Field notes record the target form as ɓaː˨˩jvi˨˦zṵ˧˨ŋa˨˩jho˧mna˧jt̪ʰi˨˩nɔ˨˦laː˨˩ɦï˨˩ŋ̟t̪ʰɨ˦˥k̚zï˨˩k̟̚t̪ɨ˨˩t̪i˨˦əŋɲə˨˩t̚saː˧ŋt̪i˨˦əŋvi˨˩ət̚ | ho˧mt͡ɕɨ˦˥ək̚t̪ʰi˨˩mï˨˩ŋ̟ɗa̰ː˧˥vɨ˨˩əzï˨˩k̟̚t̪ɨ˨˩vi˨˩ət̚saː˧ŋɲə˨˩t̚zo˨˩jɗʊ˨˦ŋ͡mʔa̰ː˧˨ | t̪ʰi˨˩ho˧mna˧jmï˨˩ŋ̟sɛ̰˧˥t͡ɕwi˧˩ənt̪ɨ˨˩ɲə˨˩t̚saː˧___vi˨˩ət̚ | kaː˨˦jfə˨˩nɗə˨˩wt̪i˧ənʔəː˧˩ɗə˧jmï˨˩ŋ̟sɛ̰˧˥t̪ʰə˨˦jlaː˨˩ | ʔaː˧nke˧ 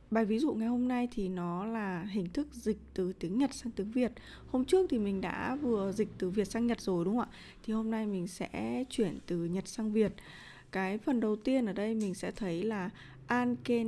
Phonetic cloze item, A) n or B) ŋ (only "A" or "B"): B